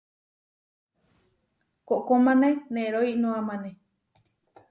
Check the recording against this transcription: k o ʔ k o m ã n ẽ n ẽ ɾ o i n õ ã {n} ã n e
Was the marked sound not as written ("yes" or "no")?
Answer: yes